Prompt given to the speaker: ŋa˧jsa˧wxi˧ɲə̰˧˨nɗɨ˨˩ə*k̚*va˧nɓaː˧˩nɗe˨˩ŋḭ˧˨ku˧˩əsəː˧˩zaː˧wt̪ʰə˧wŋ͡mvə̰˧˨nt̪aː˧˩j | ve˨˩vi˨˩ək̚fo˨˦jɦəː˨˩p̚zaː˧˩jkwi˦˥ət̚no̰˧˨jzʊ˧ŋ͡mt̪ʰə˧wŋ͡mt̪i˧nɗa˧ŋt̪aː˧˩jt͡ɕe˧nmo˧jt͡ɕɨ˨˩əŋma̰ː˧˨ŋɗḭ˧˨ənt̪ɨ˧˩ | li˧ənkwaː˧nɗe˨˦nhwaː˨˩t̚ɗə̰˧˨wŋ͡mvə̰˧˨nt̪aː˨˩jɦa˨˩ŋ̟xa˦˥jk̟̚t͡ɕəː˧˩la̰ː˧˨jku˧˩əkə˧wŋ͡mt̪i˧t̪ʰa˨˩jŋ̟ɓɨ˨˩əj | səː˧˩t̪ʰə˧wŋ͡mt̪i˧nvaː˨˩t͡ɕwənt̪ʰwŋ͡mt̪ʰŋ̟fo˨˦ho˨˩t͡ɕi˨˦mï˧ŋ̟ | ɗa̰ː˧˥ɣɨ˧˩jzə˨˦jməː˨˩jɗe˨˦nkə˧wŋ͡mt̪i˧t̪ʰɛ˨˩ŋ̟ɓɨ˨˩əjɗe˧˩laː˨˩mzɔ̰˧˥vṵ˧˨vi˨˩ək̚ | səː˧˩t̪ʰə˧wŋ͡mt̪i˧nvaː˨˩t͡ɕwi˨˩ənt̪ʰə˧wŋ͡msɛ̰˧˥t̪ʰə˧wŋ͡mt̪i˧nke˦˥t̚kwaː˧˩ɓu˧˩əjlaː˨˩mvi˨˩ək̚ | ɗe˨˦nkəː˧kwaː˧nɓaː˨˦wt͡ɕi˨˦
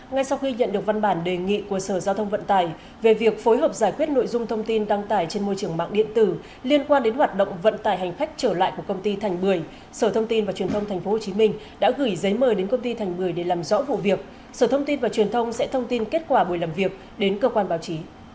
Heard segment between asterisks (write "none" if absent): k̚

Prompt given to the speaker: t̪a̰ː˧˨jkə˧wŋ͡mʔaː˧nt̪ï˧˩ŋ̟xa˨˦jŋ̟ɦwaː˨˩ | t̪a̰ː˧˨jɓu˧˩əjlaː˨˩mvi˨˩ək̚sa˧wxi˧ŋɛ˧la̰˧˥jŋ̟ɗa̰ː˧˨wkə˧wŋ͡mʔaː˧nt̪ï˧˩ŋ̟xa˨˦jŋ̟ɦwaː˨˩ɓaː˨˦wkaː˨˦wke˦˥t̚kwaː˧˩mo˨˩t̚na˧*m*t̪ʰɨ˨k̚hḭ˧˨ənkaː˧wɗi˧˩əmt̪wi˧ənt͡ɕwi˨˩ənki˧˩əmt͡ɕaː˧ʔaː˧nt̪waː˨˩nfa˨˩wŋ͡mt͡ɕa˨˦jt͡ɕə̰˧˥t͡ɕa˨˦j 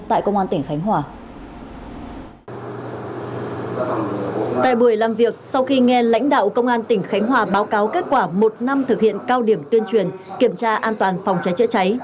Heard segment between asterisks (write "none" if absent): m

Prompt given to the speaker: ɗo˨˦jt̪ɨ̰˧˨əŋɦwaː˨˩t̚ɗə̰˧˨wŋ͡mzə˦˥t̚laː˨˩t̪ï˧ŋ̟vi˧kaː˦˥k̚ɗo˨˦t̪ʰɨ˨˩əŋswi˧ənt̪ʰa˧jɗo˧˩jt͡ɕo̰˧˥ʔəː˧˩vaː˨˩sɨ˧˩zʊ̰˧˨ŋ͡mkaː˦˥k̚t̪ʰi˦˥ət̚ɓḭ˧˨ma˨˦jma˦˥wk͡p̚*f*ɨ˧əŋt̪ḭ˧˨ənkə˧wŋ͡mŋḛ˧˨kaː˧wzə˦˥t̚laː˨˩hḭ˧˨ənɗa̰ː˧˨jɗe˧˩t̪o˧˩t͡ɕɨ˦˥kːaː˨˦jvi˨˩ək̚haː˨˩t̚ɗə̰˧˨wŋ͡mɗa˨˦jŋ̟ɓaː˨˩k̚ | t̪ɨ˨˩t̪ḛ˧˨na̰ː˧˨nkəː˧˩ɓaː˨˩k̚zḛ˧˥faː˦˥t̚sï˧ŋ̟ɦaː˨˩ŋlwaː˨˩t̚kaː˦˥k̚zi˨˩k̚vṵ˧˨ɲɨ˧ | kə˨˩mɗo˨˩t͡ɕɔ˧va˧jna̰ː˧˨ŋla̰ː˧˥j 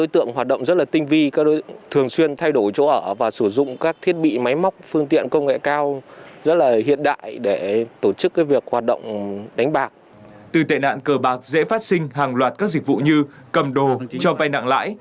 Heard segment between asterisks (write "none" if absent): f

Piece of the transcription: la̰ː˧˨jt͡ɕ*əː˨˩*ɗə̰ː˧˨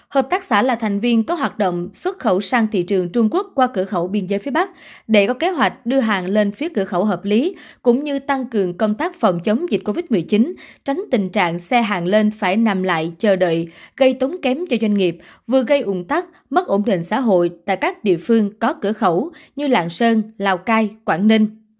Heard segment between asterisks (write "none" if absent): əː˨˩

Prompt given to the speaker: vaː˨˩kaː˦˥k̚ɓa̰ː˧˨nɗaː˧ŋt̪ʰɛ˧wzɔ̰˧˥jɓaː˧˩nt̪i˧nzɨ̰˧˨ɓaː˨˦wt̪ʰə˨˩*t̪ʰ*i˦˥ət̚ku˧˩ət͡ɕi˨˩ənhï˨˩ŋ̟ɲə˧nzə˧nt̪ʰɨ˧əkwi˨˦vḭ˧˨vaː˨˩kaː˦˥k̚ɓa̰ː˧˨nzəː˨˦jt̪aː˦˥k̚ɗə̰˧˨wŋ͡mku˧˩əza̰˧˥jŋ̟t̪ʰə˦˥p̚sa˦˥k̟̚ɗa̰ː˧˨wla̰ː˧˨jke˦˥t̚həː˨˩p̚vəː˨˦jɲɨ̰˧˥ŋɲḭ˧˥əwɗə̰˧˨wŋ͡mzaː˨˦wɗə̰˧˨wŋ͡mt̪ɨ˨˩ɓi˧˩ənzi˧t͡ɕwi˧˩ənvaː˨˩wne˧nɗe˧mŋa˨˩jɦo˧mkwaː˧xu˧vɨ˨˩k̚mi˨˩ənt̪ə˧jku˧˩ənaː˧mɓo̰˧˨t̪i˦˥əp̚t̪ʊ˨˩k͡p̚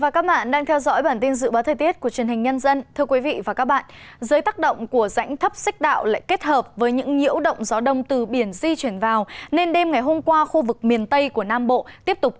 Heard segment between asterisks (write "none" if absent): t̪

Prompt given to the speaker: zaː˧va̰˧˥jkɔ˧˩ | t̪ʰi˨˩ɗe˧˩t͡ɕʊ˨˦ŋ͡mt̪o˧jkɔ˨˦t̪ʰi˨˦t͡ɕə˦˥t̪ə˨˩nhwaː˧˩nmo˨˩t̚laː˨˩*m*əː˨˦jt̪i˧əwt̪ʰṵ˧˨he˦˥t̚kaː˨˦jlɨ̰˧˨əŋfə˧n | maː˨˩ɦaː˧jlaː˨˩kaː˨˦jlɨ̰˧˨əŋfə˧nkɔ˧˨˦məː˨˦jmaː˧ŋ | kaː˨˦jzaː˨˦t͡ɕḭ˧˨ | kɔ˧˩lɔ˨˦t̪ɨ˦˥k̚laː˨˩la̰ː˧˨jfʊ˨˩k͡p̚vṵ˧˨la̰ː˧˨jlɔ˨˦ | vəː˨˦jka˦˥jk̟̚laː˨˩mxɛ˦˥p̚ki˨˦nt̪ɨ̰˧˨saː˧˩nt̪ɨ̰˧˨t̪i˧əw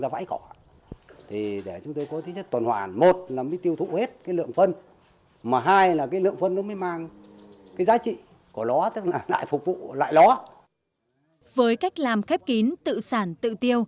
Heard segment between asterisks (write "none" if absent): m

